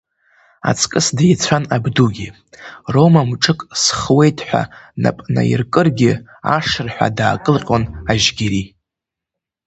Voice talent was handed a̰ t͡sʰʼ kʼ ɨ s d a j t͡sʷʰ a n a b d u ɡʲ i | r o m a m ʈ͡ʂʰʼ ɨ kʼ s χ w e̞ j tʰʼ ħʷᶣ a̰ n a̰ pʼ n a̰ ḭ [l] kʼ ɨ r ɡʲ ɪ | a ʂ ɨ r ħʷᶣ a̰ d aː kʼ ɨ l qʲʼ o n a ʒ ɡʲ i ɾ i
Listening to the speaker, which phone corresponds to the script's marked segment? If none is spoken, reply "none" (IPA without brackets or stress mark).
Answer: r